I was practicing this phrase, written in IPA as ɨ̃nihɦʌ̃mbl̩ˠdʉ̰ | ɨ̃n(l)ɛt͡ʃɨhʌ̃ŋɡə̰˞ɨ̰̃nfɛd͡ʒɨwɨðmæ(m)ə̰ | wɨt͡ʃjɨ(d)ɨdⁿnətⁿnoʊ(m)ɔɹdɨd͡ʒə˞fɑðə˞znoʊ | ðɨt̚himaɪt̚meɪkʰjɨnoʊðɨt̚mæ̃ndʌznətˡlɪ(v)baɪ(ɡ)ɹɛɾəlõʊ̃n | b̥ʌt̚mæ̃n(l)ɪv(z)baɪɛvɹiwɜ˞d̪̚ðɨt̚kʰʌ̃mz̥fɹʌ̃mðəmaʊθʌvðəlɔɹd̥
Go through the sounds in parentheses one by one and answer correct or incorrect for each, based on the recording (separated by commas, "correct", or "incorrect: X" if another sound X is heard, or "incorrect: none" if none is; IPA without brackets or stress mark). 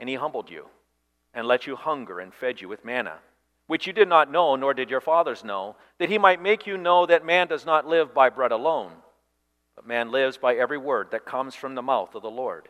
correct, incorrect: n, correct, incorrect: n, correct, incorrect: b, correct, correct